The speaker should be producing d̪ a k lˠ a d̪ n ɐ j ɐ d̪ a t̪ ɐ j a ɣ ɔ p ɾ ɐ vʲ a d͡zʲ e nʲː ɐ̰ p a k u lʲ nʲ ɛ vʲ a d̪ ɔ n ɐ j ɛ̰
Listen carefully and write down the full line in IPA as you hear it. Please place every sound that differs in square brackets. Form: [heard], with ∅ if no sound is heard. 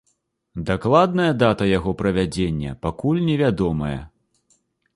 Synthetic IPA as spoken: d̪ a k lˠ a d̪ n ɐ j ɐ d̪ a t̪ ɐ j a ɣ ɔ p ɾ ɐ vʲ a d͡zʲ e nʲː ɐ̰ p a k u lʲ nʲ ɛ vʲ a d̪ ɔ [m] ɐ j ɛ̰